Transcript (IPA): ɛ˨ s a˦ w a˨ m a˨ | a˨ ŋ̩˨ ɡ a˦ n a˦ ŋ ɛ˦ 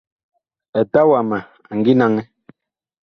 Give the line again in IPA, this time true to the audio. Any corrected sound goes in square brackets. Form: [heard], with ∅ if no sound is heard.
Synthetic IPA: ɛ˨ [t] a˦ w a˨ m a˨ | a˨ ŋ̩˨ ɡ [i˦] n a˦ ŋ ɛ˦

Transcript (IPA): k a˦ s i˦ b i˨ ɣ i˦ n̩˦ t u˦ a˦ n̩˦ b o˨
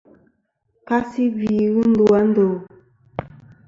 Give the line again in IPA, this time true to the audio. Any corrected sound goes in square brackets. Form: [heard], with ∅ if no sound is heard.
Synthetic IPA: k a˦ s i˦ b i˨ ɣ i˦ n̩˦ [d] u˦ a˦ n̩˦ [d] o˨

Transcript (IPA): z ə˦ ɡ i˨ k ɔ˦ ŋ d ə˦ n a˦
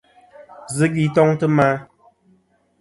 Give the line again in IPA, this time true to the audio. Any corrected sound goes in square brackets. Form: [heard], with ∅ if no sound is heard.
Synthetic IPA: z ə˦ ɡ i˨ [t] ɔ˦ ŋ [t] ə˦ [m] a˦

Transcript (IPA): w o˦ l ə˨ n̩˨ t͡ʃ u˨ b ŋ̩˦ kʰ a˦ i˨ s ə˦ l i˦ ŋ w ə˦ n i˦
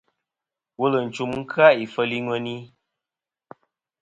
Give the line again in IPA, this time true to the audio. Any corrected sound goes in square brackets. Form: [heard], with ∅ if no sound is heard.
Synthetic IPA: w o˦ l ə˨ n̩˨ t͡ʃ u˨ [m] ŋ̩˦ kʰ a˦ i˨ [f] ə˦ l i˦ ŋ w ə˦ n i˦

